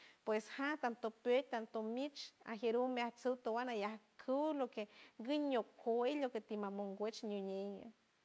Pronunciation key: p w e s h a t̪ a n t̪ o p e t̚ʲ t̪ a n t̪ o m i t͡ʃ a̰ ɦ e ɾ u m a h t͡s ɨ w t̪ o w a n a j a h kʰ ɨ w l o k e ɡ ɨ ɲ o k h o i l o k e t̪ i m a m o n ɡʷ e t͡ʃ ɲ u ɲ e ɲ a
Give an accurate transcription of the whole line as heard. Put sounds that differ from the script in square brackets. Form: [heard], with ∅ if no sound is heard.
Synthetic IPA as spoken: p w e s h a t̪ a n t̪ o p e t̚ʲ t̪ a n t̪ o m i t͡ʃ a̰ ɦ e ɾ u m a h t͡s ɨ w t̪ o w a n a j a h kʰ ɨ w l o k e ɡ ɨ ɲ o k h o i l o k e t̪ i m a m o [ŋ] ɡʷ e t͡ʃ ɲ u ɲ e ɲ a